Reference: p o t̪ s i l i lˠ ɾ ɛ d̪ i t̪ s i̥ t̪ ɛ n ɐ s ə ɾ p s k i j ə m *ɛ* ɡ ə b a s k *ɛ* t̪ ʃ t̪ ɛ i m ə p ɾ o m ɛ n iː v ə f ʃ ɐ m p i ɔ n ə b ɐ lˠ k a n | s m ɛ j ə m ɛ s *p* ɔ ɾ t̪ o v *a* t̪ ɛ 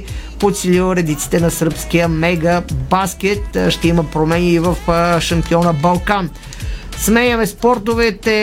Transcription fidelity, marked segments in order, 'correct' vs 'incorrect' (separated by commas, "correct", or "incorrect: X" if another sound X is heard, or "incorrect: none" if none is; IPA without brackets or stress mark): correct, correct, correct, incorrect: ɛ